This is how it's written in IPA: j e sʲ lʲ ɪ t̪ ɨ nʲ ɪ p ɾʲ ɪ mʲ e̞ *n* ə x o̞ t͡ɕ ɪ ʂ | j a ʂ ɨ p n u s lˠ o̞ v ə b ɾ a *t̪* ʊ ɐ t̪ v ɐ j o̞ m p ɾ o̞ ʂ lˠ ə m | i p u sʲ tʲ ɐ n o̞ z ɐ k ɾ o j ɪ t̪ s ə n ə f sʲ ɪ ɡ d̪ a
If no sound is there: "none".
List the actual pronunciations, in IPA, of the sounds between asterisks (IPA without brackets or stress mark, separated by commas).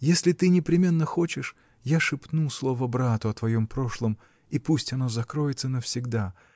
nː, t̪